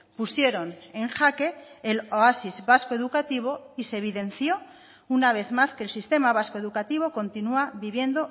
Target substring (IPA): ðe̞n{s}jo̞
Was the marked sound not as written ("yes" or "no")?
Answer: yes